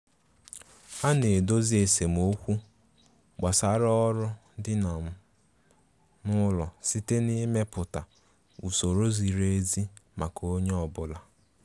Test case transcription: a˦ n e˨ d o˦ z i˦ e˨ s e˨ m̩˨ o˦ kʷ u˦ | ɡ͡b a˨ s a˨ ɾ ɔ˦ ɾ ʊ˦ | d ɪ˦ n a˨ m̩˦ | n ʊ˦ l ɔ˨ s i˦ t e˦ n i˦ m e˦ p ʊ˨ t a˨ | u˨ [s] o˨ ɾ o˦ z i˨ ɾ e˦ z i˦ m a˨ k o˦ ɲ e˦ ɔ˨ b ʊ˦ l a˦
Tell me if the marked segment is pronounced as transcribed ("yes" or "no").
yes